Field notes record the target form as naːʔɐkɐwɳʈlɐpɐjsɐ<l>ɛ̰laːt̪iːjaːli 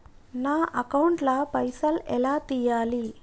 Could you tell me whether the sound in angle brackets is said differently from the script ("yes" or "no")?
no